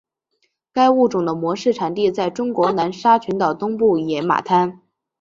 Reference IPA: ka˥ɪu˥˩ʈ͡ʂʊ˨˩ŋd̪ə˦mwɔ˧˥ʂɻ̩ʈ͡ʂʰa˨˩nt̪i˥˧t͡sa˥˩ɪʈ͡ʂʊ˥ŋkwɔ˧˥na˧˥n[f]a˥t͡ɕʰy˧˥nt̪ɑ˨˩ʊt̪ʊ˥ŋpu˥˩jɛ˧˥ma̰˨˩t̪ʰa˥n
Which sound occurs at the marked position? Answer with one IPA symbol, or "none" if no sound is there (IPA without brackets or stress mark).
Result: ʂ